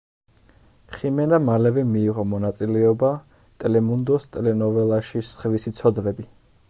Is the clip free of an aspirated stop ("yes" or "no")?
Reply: yes